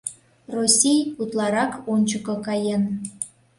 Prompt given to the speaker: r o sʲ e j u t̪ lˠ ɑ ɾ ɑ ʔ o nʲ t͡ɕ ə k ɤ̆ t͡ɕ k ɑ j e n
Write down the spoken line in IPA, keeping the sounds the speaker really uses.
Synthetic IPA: r o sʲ i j u t̪ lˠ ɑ ɾ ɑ k o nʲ t͡ɕ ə k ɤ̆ k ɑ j e n